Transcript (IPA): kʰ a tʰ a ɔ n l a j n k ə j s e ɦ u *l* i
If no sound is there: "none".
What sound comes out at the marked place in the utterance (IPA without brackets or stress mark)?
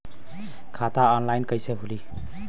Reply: l